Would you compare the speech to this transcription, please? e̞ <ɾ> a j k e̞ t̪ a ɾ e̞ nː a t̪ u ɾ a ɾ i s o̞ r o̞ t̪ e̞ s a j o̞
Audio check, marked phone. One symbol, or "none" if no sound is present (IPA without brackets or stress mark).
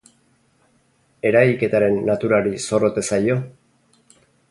ɾ